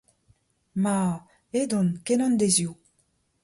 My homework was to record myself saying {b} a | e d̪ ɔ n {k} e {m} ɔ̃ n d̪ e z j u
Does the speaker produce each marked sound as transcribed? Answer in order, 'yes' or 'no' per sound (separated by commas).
no, yes, no